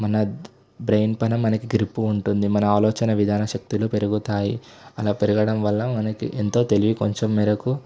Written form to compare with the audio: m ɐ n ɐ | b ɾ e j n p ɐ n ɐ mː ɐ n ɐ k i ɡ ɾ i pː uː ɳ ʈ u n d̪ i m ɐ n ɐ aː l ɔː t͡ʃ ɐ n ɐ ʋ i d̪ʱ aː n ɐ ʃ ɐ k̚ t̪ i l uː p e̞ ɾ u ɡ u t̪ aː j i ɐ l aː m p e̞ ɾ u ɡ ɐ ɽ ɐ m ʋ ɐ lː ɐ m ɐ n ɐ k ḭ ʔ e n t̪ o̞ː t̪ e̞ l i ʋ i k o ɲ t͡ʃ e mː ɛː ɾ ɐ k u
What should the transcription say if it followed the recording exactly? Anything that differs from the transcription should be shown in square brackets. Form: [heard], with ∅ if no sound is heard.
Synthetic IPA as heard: m ɐ n ɐ | b ɾ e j n p ɐ n ɐ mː ɐ n ɐ k i ɡ ɾ i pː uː ɳ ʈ u n d̪ i m ɐ n ɐ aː l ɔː t͡ʃ ɐ n ɐ ʋ i d̪ʱ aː n ɐ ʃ ɐ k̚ t̪ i l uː p e̞ ɾ u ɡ u t̪ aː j i ɐ l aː [∅] p e̞ ɾ u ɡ ɐ ɽ ɐ m ʋ ɐ lː ɐ m ɐ n ɐ k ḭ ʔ e n t̪ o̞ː t̪ e̞ l i ʋ i k o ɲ t͡ʃ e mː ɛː ɾ ɐ k u

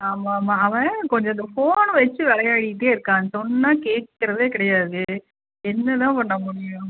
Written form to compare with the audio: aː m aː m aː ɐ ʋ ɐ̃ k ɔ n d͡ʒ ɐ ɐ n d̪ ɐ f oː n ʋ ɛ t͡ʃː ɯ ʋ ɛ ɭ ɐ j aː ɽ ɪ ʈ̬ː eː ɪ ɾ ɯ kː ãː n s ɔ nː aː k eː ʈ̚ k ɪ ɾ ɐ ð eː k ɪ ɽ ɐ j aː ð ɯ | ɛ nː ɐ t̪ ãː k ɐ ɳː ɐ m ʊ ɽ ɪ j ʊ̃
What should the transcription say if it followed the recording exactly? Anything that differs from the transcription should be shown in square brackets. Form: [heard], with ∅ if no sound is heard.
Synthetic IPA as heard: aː m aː m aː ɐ ʋ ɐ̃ k ɔ [ɲ] d͡ʒ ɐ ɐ n d̪ ɐ f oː n ʋ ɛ t͡ʃː ɯ ʋ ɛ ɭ ɐ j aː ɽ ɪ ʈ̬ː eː ɪ ɾ ɯ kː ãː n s ɔ nː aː k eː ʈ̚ k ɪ ɾ ɐ ð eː k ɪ ɽ ɐ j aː ð ɯ | ɛ nː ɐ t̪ ãː [p] ɐ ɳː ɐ m ʊ ɽ ɪ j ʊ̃

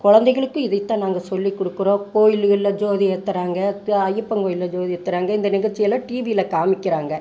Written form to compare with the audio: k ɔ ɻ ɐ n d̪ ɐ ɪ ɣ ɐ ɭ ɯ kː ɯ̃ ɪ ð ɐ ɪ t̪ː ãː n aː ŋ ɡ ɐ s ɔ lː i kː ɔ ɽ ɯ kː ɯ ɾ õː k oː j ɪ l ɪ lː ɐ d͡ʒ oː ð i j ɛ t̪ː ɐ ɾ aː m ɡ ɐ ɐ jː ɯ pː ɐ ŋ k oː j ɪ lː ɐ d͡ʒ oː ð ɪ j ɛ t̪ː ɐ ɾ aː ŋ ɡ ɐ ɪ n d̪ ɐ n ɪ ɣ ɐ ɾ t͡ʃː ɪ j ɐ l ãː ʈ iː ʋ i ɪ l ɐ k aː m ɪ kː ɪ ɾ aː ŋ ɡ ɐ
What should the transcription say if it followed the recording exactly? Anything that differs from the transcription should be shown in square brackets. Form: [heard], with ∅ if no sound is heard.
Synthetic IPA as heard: k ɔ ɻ ɐ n d̪ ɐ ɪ ɣ ɐ ɭ ɯ kː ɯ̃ ɪ ð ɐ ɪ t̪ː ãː n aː ŋ ɡ ɐ s ɔ lː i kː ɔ ɽ ɯ kː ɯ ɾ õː k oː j ɪ l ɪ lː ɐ d͡ʒ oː ð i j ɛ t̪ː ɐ ɾ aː [ŋ] ɡ ɐ ɐ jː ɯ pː ɐ ŋ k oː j ɪ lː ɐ d͡ʒ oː ð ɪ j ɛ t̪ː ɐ ɾ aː ŋ ɡ ɐ ɪ n d̪ ɐ n ɪ ɣ ɐ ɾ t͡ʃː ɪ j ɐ l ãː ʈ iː ʋ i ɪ l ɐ k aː m ɪ kː ɪ ɾ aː ŋ ɡ ɐ

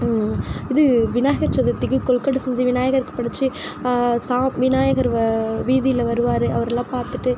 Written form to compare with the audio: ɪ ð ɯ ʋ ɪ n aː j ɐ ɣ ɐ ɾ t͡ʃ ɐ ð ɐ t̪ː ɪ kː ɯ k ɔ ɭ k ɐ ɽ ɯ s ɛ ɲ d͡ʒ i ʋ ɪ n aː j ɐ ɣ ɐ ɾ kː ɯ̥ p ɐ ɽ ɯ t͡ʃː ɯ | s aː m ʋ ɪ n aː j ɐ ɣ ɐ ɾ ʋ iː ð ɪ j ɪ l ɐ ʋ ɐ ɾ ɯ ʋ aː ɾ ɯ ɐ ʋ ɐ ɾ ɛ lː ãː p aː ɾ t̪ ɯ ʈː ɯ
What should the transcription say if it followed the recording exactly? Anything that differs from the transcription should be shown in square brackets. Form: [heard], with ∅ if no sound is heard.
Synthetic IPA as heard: ɪ ð ɯ ʋ ɪ n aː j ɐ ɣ ɐ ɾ t͡ʃ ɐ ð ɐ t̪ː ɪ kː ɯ k ɔ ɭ k ɐ ɽ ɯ s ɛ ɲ d͡ʒ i ʋ ɪ n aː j ɐ ɣ ɐ ɾ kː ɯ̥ p ɐ ɽ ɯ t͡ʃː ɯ | s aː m ʋ ɪ n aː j ɐ ɣ ɐ ɾ ʋ iː ð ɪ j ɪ l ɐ ʋ ɐ ɾ ɯ ʋ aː ɾ ɯ ɐ ʋ ɐ ɾ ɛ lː ãː p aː ɾ t̪ ɯ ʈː ɯ

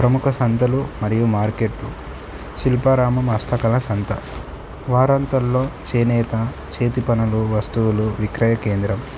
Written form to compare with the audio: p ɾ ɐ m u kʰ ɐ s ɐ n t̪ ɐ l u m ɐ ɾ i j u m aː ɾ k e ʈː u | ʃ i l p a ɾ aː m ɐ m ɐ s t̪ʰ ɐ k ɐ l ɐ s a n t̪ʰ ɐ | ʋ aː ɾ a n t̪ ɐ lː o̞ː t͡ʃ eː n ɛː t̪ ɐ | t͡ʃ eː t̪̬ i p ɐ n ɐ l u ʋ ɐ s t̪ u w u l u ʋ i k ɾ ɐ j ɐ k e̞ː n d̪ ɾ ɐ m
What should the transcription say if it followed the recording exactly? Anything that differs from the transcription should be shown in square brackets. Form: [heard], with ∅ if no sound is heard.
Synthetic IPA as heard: p ɾ ɐ m u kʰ ɐ s ɐ n t̪ ɐ l u m ɐ ɾ i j u m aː ɾ k e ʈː u | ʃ i l p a ɾ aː m ɐ m ɐ s t̪ʰ ɐ k ɐ l ɐ s [ɐ] n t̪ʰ ɐ | ʋ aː ɾ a n t̪ ɐ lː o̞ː t͡ʃ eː n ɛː t̪ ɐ | t͡ʃ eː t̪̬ i p ɐ n ɐ l u ʋ ɐ s t̪ u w u l u ʋ i k ɾ ɐ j ɐ k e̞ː n d̪ ɾ ɐ m

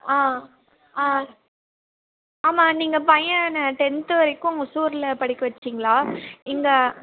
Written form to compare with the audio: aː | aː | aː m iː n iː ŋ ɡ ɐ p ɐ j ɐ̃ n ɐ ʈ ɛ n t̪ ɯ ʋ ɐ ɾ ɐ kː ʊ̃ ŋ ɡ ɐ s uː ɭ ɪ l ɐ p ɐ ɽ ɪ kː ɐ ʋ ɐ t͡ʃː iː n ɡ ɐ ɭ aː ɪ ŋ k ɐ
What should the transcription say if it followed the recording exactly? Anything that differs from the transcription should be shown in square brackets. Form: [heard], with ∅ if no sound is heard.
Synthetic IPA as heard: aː | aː | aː m [aː] n iː ŋ ɡ ɐ p ɐ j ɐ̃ n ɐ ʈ ɛ n t̪ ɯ ʋ ɐ ɾ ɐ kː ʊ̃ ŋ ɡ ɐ s uː [ɾ] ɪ l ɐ p ɐ ɽ ɪ kː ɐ ʋ ɐ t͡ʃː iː [ŋ] ɡ ɐ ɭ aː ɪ ŋ [ɡ] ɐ

